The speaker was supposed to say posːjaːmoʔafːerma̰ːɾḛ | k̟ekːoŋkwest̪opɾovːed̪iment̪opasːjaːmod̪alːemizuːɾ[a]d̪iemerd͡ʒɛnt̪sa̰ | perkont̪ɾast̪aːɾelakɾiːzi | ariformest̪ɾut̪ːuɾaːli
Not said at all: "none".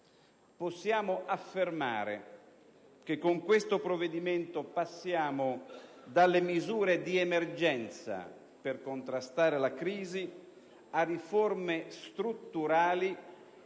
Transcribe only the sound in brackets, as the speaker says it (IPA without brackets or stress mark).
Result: e